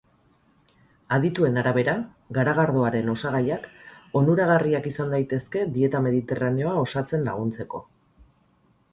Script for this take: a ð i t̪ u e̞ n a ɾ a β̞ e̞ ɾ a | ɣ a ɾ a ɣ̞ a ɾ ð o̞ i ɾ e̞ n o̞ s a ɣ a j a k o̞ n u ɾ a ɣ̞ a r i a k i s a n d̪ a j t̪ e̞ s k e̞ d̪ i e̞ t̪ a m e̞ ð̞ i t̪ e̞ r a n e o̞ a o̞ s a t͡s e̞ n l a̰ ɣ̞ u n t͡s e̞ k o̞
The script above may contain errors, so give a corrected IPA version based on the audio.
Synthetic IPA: a ð i t̪ u e̞ n a ɾ a β̞ e̞ ɾ a | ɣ a ɾ a ɣ̞ a ɾ ð o̞ a ɾ e̞ n o̞ s a ɣ a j a k o̞ n u ɾ a ɣ̞ a r i a k i s a n d̪ a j t̪ e̞ s k e̞ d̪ i e̞ t̪ a m e̞ ð̞ i t̪ e̞ r a n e o̞ a o̞ s a t͡s e̞ n l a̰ ɣ̞ u n t͡s e̞ k o̞